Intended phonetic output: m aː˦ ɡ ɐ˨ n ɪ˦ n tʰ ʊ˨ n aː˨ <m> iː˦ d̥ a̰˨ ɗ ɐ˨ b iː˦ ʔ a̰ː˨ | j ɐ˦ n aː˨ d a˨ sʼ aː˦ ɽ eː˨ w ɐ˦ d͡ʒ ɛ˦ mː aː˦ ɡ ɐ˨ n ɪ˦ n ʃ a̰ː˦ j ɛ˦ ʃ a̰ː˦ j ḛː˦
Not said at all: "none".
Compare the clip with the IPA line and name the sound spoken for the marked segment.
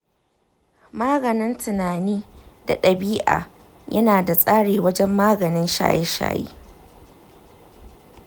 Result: n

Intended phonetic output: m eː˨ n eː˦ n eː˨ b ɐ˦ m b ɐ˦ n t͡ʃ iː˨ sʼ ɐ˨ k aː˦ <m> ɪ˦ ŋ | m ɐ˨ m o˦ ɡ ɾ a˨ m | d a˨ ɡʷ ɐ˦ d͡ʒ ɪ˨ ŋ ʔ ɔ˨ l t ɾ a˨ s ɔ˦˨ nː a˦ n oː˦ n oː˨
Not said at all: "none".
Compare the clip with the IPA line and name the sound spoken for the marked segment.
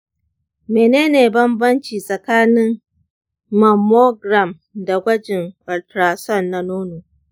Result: n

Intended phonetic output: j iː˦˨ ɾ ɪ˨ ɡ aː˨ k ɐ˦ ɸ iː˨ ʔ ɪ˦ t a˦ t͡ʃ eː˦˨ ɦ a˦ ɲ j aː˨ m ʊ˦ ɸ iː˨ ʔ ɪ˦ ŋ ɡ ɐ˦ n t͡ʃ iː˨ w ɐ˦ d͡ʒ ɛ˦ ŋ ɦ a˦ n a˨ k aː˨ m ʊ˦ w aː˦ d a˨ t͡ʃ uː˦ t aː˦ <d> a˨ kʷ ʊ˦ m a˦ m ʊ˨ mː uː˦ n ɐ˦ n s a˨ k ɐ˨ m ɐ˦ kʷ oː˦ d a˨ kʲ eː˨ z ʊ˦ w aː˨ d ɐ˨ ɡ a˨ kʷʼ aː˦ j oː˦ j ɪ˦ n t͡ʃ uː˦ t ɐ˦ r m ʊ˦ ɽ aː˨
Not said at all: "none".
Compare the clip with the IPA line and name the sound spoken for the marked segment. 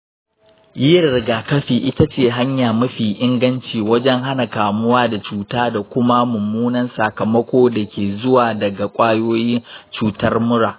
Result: d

